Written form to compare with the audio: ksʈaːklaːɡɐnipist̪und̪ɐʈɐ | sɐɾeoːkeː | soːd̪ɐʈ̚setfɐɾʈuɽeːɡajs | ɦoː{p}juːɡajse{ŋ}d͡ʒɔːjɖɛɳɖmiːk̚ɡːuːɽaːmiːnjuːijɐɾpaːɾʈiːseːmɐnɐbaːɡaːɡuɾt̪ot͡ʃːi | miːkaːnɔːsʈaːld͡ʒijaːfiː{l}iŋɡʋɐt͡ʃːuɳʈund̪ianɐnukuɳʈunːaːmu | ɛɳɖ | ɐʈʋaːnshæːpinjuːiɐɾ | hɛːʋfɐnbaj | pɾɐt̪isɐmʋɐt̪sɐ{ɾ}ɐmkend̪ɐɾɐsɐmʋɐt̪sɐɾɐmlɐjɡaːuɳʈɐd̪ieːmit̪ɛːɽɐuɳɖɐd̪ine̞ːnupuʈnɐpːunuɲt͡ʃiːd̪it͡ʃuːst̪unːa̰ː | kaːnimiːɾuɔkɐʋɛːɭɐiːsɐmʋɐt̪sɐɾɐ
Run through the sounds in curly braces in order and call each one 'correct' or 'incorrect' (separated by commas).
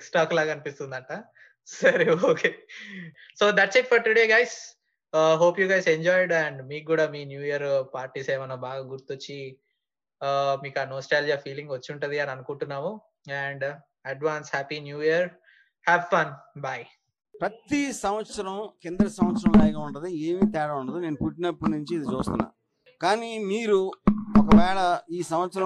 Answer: correct, incorrect, correct, correct